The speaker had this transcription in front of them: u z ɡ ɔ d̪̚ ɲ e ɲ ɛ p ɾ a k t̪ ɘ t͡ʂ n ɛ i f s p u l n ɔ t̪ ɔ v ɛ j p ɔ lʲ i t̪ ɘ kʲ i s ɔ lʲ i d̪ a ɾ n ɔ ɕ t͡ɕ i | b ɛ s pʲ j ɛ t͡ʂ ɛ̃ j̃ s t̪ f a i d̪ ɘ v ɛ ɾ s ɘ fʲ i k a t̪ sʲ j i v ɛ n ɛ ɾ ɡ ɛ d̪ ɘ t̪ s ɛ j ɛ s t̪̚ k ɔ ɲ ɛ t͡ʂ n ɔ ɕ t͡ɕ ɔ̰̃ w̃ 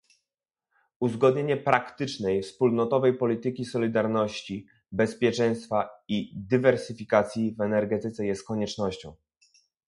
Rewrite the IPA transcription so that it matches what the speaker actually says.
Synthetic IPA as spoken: u z ɡ ɔ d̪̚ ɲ e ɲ ɛ p ɾ a k t̪ ɘ t͡ʂ n ɛ j f s p u l n ɔ t̪ ɔ v ɛ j p ɔ lʲ i t̪ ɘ kʲ i s ɔ lʲ i d̪ a ɾ n ɔ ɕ t͡ɕ i | b ɛ s pʲ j ɛ t͡ʂ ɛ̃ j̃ s t̪ f a i d̪ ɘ v ɛ ɾ s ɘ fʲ i k a t̪ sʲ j i v ɛ n ɛ ɾ ɡ ɛ t̪ ɘ t̪ s ɛ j ɛ s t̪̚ k ɔ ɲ ɛ t͡ʂ n ɔ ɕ t͡ɕ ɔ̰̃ w̃

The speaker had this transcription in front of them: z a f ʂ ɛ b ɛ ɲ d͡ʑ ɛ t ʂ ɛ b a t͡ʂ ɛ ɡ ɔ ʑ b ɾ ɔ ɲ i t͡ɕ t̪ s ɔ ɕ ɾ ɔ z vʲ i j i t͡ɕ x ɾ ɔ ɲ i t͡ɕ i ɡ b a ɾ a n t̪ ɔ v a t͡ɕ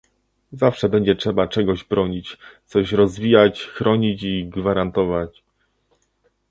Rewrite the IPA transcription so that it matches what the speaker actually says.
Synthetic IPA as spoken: z a f ʂ ɛ b ɛ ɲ d͡ʑ ɛ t ʂ ɛ b a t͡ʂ ɛ ɡ ɔ ʑ b ɾ ɔ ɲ i t͡ɕ t̪ s ɔ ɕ ɾ ɔ z vʲ i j a t͡ɕ x ɾ ɔ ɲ i t͡ɕ i ɡ v a ɾ a n t̪ ɔ v a t͡ɕ

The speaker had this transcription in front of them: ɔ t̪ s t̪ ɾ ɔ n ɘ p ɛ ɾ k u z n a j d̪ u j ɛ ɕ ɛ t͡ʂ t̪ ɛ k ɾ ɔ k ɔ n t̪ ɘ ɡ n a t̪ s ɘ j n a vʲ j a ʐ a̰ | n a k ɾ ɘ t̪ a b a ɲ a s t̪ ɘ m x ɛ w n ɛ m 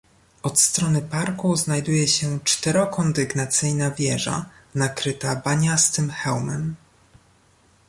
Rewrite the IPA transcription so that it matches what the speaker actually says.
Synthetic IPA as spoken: ɔ t̪ s t̪ ɾ ɔ n ɘ p a ɾ k u z n a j d̪ u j ɛ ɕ ɛ t͡ʂ t̪ ɛ ɾ ɔ k ɔ n d̪ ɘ ɡ n a t̪ s ɘ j n a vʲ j ɛ ʐ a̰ | n a k ɾ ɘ t̪ a b a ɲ a s t̪ ɘ m x ɛ w m ɛ m

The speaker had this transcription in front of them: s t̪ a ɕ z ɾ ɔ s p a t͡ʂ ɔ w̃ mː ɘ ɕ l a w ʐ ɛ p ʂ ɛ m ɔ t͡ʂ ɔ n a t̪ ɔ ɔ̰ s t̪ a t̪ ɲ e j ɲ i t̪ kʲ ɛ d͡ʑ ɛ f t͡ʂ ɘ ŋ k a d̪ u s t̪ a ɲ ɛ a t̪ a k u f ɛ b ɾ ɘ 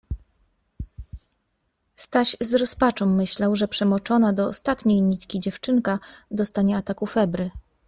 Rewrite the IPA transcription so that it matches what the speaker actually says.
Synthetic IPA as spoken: s t̪ a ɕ z ɾ ɔ s p a t͡ʂ ɔ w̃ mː ɘ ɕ l a w ʐ ɛ p ʂ ɛ m ɔ t͡ʂ ɔ n a d̪ ɔ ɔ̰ s t̪ a t̪ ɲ e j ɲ i t̪ kʲ i d͡ʑ ɛ f t͡ʂ ɘ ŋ k a d̪ ɔ s t̪ a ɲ ɛ a t̪ a k u f ɛ b ɾ ɘ

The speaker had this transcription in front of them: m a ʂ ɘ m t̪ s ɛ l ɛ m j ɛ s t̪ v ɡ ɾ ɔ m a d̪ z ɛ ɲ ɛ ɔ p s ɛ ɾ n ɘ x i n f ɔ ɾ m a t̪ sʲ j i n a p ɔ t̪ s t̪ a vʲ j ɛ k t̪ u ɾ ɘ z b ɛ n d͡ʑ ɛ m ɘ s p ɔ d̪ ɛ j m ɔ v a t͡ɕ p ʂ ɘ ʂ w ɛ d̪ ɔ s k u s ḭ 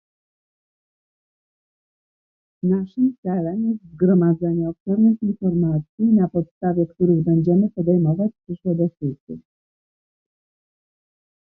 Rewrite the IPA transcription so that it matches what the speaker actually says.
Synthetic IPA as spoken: n a ʂ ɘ m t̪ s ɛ l ɛ m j ɛ s t̪ z ɡ ɾ ɔ m a d̪ z ɛ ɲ ɛ ɔ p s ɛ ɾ n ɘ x i n f ɔ ɾ m a t̪ sʲ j i n a p ɔ t̪ s t̪ a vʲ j ɛ k t̪ u ɾ ɘ ɣ b ɛ ɲ d͡ʑ ɛ m ɘ p ɔ d̪ ɛ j m ɔ v a t͡ɕ p ʂ ɘ ʂ w ɛ d̪ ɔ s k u s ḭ

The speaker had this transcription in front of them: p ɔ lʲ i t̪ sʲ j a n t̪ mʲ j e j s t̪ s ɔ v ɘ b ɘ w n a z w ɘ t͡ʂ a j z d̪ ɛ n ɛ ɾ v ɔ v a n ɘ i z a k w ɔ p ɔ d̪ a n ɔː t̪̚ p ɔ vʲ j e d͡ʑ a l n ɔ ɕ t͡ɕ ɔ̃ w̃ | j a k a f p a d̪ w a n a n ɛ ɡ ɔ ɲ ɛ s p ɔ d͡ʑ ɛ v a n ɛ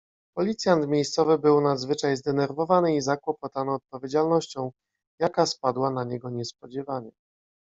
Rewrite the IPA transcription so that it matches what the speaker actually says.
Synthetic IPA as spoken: p ɔ lʲ i t̪ sʲ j a n t̪ mʲ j e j s t̪ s ɔ v ɘ b ɘ w n a z v ɘ t͡ʂ a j z d̪ ɛ n ɛ ɾ v ɔ v a n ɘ i z a k w ɔ p ɔ t̪ a n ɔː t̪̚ p ɔ vʲ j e d͡ʑ a l n ɔ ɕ t͡ɕ ɔ̃ w̃ | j a k a s p a d̪ w a n a ɲ ɛ ɡ ɔ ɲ ɛ s p ɔ d͡ʑ ɛ v a ɲ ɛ

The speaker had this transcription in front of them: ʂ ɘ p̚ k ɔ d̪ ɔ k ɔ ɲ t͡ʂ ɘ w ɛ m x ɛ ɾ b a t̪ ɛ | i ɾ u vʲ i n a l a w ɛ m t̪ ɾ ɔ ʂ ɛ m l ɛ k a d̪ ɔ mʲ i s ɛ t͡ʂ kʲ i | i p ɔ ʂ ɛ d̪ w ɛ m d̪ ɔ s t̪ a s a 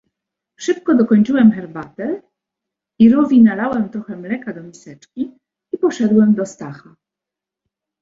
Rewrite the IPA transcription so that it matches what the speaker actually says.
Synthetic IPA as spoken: ʂ ɘ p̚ k ɔ d̪ ɔ k ɔ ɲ t͡ʂ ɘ w ɛ m x ɛ ɾ b a t̪ ɛ | i ɾ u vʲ i n a l a w ɛ m t̪ ɾ ɔ x ɛ m l ɛ k a d̪ ɔ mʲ i s ɛ t͡ʂ kʲ i | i p ɔ ʂ ɛ d̪ w ɛ m d̪ ɔ s t̪ a x a

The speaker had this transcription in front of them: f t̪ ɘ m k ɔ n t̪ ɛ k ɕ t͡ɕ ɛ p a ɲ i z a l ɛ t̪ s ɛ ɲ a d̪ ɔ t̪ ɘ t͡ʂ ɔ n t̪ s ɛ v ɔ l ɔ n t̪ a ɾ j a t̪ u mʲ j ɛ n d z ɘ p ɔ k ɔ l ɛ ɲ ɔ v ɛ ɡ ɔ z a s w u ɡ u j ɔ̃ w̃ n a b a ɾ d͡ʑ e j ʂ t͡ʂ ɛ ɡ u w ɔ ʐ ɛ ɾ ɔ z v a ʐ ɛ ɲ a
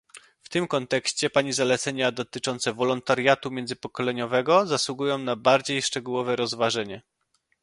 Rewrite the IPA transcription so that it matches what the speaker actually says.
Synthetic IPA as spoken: f t̪ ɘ m k ɔ n t̪ ɛ k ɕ t͡ɕ ɛ p a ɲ i z a l ɛ t̪ s ɛ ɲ a d̪ ɔ t̪ ɘ t͡ʂ ɔ n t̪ s ɛ v ɔ l ɔ n t̪ a ɾ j a t̪ u mʲ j ɛ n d z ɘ p ɔ k ɔ l ɛ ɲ ɔ v ɛ ɡ ɔ z a s w u ɡ u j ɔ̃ w̃ n a b a ɾ d͡ʑ e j ʂ t͡ʂ ɛ ɡ u w ɔ v ɛ ɾ ɔ z v a ʐ ɛ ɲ ɛ

